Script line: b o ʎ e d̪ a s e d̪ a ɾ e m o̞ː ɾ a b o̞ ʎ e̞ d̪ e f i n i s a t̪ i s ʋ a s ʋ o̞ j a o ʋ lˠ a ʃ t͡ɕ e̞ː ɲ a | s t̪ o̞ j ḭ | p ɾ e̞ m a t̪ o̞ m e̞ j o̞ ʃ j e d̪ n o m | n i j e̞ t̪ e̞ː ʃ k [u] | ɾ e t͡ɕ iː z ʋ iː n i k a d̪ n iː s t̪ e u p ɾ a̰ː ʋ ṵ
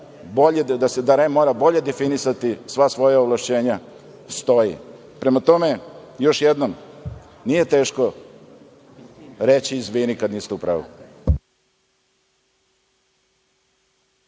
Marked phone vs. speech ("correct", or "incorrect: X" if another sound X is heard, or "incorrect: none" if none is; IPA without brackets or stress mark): incorrect: o